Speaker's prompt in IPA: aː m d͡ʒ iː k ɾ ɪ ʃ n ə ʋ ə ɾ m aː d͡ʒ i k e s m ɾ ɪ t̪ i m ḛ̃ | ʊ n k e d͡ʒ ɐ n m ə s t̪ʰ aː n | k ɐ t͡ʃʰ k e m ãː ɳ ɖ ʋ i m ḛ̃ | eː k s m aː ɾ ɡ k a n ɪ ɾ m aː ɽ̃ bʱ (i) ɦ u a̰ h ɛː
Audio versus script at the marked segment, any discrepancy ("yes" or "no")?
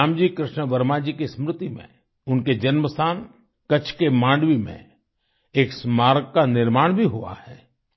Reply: no